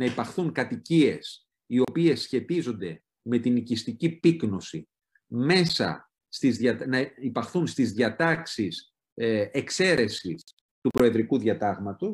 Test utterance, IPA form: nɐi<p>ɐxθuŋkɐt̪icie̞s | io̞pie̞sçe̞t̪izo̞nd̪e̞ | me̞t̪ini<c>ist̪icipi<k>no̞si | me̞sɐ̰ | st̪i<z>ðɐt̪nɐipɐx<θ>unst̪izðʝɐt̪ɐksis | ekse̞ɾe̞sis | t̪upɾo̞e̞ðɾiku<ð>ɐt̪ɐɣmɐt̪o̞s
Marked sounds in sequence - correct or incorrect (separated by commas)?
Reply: correct, correct, correct, correct, correct, correct